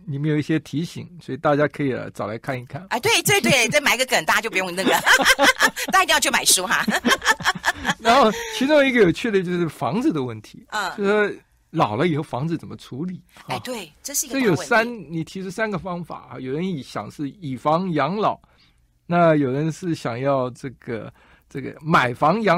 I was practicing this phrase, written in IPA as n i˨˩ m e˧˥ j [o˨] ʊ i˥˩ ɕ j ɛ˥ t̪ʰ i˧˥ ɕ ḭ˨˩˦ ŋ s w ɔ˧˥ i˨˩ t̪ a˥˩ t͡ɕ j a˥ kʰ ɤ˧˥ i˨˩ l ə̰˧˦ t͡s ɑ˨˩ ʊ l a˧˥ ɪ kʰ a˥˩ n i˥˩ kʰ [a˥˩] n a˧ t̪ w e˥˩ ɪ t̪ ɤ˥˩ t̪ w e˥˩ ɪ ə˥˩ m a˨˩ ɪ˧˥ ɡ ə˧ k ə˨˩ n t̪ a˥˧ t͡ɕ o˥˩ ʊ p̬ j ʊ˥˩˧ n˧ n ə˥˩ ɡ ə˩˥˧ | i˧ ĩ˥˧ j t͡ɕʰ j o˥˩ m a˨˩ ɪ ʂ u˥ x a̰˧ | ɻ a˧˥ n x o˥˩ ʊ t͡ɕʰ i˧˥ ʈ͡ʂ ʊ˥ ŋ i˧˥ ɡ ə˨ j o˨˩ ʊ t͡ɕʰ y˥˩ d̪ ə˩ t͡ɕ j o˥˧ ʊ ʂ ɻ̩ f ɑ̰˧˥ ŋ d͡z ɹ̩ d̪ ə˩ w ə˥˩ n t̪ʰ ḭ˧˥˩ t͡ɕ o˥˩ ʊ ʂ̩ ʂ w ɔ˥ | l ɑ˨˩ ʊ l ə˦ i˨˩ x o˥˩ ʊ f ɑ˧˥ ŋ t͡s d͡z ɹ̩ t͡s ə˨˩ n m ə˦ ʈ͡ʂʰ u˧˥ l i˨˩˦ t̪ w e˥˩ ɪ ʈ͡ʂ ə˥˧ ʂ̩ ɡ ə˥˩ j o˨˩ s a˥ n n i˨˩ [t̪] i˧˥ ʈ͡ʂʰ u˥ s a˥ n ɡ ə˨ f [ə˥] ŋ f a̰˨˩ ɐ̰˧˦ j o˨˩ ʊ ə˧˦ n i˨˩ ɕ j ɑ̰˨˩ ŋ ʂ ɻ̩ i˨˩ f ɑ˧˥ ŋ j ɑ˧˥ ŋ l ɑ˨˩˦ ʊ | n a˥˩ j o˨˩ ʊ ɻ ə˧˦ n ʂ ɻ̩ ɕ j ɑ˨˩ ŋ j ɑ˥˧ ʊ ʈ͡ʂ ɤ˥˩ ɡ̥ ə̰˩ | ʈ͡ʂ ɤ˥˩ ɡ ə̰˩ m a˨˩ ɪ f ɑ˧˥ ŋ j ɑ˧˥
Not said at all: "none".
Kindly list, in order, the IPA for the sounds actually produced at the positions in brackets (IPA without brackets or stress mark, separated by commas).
o˨, a˥˩, t̪ʰ, ɑ˥